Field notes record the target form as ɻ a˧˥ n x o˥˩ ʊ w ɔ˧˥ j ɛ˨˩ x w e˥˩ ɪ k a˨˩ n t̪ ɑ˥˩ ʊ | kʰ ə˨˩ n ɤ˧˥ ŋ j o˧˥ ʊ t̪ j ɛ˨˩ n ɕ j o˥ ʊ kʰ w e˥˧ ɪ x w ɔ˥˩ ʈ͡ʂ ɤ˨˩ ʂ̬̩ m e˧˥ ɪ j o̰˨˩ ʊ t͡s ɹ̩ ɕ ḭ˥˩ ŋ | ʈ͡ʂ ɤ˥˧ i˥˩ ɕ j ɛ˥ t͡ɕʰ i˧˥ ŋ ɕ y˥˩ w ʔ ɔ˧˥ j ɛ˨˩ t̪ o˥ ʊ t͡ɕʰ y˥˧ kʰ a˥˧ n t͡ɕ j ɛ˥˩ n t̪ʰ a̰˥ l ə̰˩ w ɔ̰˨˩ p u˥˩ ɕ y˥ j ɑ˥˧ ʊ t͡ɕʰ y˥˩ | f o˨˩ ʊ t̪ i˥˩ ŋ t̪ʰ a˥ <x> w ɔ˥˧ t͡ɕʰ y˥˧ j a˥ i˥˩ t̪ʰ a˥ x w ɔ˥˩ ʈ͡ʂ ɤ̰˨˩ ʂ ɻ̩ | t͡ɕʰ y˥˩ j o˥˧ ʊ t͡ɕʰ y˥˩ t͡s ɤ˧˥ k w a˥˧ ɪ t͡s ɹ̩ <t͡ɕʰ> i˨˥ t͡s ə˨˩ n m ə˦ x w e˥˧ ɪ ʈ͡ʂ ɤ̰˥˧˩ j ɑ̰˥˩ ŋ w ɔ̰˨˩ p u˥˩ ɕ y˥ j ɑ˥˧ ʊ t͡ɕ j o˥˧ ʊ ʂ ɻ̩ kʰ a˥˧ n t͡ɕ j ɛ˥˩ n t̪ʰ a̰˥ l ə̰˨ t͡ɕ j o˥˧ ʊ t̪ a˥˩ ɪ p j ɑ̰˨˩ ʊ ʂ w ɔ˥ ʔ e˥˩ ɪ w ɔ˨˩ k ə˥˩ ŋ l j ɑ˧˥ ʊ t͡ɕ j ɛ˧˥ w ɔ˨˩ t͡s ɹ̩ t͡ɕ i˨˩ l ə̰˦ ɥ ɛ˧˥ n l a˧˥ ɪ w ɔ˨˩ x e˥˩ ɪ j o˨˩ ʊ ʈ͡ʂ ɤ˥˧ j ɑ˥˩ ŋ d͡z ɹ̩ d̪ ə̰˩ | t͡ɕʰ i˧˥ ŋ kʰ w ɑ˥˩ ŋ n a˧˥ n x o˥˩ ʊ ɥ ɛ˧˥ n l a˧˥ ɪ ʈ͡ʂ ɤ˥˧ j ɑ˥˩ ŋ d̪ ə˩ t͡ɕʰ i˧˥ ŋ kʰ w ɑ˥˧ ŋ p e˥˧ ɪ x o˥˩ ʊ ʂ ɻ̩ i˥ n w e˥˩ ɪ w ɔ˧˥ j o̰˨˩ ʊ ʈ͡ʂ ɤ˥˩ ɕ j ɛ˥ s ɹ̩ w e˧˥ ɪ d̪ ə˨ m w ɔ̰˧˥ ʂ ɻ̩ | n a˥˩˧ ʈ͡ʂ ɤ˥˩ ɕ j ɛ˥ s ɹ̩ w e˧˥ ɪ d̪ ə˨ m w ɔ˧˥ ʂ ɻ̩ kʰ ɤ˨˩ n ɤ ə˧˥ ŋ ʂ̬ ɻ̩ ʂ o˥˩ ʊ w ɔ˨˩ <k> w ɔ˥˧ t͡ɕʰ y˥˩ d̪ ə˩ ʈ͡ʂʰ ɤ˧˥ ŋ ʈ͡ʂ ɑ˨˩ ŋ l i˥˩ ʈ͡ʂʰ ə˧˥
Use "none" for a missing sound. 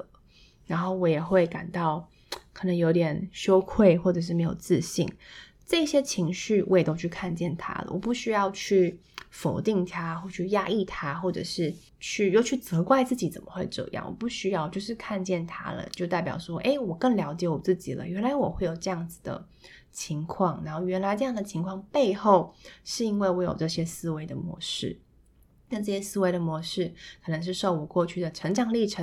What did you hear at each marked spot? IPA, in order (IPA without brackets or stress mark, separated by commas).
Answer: x, t͡ɕ, k